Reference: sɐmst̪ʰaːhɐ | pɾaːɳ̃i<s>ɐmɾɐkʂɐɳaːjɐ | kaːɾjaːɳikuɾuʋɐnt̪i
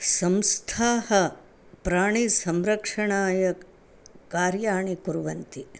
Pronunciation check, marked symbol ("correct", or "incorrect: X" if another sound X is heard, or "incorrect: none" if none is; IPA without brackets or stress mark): correct